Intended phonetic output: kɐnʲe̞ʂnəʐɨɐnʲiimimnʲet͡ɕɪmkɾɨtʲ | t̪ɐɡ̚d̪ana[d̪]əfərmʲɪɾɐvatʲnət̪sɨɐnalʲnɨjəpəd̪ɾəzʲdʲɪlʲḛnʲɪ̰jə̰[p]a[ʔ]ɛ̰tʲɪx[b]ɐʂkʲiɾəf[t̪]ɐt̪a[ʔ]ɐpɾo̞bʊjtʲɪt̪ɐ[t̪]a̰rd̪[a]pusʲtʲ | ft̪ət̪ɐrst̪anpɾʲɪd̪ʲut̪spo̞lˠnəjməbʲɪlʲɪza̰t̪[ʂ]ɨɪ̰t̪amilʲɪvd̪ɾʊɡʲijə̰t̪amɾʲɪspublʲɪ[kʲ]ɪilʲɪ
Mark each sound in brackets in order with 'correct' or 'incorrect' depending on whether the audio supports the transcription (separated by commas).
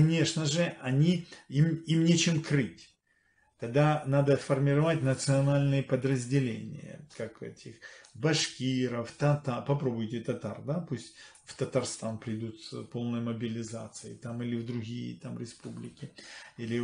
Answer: correct, incorrect, incorrect, correct, correct, incorrect, correct, correct, incorrect, correct